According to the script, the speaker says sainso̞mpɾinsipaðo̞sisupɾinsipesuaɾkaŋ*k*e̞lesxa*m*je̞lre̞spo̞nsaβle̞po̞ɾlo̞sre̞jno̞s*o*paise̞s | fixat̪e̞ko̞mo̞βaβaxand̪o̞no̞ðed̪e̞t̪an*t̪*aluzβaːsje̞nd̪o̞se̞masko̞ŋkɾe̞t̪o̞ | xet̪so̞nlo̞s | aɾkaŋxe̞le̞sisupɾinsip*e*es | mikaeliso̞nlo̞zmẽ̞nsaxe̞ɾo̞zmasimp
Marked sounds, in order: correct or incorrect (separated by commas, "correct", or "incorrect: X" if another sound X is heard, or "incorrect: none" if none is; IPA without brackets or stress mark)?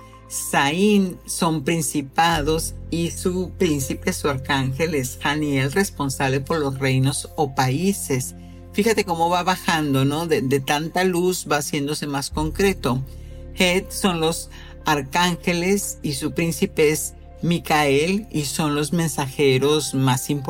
incorrect: x, incorrect: n, correct, correct, correct